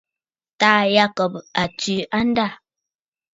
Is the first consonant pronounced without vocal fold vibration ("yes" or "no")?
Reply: yes